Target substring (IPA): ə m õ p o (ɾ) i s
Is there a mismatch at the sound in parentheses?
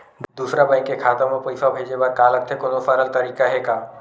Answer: yes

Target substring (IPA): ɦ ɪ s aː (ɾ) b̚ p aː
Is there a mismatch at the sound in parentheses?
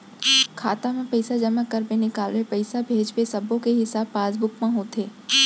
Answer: yes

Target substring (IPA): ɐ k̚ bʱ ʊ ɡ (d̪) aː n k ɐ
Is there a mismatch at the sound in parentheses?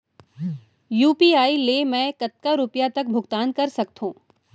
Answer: yes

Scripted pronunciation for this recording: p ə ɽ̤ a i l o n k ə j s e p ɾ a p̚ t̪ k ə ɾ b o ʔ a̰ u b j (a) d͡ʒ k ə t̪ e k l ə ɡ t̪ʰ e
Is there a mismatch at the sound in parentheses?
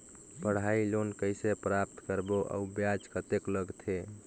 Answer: no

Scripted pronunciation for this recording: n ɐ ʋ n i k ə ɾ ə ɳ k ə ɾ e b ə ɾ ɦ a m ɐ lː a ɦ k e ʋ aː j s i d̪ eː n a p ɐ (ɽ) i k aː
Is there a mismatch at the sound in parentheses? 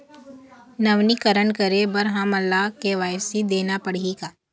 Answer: no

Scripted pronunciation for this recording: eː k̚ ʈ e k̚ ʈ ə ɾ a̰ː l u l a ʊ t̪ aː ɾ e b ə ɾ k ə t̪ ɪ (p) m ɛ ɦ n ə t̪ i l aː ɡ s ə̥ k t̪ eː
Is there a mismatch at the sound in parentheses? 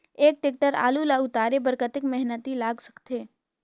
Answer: yes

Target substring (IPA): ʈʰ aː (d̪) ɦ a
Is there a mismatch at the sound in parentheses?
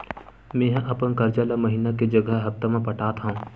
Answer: yes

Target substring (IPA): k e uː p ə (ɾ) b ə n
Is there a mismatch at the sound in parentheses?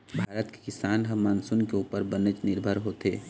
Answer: no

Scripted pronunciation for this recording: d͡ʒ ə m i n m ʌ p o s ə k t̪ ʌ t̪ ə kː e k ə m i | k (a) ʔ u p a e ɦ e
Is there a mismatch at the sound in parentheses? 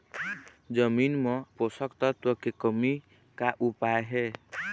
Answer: no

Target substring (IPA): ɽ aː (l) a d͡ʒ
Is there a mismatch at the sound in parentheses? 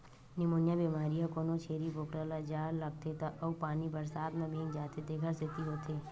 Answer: no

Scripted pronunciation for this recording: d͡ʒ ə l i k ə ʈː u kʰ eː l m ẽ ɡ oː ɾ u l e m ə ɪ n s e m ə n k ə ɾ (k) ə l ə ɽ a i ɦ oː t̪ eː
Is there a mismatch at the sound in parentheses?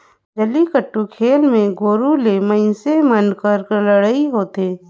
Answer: no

